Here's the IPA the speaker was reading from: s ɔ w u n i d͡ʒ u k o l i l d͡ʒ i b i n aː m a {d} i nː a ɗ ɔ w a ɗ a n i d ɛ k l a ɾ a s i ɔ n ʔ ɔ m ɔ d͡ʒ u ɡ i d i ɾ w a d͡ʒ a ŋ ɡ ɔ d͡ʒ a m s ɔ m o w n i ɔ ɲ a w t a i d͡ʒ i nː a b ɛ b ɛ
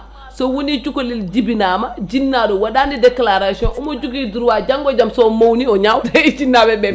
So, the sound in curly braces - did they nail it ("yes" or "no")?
no